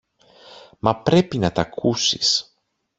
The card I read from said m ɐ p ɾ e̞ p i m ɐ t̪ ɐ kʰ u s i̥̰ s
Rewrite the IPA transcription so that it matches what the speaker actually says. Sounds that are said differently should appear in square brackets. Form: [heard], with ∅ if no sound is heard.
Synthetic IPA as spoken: m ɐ p ɾ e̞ p i [n] ɐ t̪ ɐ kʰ u s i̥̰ s